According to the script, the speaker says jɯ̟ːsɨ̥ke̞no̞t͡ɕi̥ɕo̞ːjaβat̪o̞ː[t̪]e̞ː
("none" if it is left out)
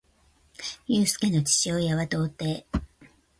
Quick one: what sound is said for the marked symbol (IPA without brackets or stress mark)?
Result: t̪